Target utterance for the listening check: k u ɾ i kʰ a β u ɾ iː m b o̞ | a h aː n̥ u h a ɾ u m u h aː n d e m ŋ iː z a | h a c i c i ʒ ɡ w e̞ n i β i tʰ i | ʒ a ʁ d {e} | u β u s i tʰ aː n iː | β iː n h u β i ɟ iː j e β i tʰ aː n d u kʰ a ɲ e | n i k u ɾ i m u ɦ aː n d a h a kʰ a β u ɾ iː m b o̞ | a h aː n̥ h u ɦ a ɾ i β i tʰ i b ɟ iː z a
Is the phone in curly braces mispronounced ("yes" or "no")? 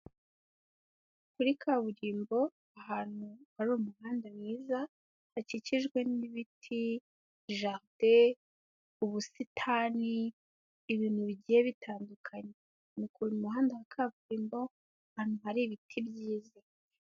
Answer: no